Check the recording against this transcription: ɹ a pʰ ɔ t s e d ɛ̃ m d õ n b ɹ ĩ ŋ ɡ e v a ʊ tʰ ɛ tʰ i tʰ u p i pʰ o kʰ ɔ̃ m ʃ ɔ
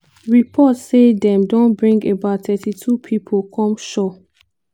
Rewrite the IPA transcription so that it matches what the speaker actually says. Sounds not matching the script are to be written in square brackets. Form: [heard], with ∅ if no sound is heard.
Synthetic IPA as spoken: ɹ [i] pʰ ɔ t s e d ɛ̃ m d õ n b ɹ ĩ ŋ ɡ e [b] a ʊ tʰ ɛ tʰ i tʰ u [pʰ] i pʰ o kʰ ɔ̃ m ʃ ɔ